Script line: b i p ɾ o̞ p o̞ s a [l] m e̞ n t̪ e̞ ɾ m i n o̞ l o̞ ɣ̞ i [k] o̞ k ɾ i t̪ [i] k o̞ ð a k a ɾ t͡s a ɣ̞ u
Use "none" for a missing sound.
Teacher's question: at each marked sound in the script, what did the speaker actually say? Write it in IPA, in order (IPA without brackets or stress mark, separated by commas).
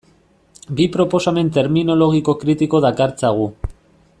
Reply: none, k, i